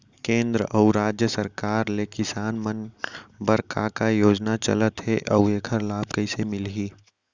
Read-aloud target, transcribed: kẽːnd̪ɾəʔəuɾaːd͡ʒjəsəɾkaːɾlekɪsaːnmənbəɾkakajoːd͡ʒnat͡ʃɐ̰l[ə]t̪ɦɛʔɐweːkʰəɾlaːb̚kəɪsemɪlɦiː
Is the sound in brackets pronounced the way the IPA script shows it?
yes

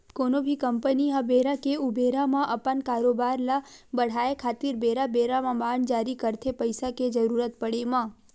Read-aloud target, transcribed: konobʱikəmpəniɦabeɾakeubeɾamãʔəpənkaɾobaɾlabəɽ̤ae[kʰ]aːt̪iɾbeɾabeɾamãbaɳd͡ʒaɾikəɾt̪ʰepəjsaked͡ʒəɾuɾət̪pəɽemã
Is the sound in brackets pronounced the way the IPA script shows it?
yes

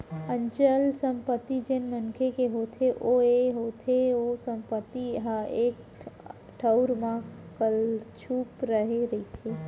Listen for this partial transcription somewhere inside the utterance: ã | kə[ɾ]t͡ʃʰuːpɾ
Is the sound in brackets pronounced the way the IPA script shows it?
no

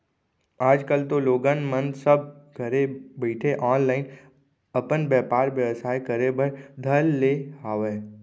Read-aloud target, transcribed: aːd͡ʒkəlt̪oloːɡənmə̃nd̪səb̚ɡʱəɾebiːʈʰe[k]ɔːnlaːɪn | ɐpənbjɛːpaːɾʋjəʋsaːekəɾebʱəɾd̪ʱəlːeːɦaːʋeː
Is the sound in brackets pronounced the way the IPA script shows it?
no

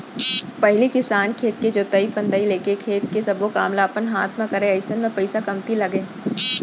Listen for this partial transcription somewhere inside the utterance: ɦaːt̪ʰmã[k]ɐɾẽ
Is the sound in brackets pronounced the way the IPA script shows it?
yes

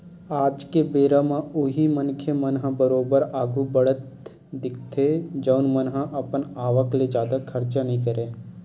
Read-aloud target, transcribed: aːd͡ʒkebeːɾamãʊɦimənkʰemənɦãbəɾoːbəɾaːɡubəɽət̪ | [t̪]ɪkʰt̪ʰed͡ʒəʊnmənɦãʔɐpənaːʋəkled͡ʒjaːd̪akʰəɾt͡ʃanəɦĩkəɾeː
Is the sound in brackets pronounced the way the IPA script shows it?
no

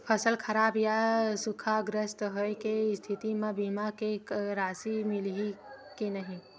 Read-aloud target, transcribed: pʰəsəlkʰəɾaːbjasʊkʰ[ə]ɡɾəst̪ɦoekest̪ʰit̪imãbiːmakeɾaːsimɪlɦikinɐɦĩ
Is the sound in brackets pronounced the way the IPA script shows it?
no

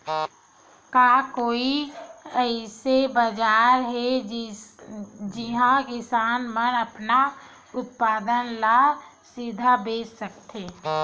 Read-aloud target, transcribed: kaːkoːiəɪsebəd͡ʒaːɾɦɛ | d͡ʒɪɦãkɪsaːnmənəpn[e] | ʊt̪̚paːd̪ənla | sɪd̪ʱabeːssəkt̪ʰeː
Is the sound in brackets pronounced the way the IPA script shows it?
no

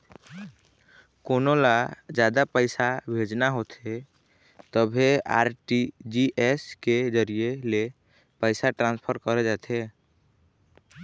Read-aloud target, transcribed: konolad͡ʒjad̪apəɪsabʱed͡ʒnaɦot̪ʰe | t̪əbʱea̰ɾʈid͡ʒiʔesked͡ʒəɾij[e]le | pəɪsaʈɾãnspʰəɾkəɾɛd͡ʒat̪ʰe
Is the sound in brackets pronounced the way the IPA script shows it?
yes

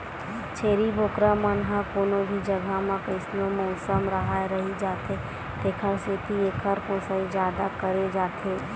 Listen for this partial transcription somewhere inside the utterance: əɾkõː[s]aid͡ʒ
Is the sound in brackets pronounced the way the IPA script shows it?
yes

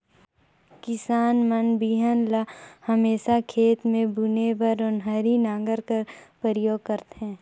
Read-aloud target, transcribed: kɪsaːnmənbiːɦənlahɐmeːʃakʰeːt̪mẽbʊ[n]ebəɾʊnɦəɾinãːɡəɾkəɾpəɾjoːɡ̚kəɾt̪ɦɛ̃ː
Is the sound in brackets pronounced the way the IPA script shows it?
yes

